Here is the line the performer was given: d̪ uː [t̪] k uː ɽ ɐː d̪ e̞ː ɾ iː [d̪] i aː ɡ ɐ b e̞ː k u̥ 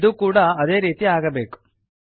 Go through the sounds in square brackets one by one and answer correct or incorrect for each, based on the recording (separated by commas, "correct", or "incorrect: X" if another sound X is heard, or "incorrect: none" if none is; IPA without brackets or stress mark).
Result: incorrect: none, incorrect: t̪